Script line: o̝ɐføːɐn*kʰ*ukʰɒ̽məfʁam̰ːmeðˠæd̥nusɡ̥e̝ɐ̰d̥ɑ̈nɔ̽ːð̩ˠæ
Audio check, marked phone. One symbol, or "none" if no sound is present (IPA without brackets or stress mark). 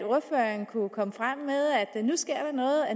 kʰ